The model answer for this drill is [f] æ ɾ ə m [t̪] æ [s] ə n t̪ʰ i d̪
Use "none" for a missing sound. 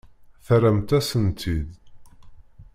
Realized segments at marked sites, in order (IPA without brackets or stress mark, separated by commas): θ, t̪, s